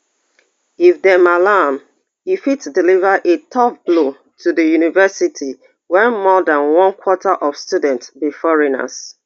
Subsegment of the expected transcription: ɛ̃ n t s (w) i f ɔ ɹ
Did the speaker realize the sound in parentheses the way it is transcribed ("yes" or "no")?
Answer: no